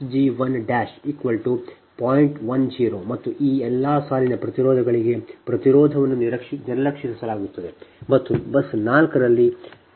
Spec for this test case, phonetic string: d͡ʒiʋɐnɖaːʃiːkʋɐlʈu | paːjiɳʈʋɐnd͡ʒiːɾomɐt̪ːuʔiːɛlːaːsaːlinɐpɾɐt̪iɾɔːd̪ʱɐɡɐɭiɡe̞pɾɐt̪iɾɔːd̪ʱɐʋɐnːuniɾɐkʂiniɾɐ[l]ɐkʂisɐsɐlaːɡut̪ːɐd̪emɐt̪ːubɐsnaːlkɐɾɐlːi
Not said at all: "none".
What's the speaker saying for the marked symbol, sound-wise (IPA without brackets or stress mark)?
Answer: l